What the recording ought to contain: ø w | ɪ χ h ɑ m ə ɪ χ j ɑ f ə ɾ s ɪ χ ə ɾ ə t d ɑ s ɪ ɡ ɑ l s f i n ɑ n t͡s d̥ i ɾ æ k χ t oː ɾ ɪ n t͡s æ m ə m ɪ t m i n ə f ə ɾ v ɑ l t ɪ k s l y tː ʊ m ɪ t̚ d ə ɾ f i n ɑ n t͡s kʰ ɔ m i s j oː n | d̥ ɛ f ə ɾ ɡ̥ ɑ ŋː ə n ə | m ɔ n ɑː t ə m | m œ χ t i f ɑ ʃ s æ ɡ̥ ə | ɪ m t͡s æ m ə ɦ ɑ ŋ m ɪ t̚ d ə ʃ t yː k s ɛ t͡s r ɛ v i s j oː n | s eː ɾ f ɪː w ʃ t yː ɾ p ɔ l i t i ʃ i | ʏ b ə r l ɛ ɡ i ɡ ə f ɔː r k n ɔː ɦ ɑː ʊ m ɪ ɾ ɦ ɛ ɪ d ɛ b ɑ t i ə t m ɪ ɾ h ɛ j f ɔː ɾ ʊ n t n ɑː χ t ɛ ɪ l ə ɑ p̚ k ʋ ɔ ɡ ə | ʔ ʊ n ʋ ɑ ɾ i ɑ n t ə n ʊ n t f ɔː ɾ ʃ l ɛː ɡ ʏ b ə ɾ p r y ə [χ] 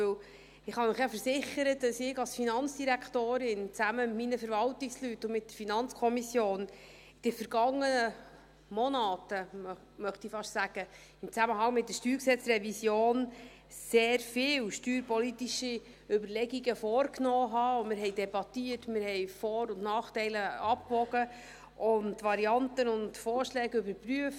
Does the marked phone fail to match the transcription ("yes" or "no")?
yes